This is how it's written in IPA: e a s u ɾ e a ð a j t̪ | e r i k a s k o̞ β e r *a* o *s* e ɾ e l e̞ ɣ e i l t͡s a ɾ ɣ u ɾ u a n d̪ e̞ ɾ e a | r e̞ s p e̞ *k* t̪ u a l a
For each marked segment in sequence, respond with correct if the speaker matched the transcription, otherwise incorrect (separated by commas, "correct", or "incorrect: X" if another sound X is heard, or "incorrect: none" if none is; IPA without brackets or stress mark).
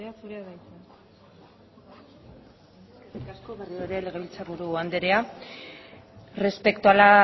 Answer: incorrect: i, incorrect: none, correct